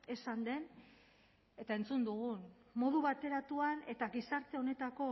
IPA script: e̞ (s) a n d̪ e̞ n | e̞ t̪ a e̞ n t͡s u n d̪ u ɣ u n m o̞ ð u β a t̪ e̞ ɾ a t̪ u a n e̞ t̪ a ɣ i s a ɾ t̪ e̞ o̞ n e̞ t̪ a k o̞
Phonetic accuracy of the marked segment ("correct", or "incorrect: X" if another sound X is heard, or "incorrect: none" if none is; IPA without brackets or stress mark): correct